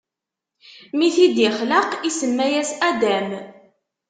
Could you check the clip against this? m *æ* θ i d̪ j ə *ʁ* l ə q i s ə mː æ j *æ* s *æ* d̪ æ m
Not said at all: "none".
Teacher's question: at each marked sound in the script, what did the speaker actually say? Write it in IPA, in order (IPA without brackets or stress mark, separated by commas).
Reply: i, χ, æ, æ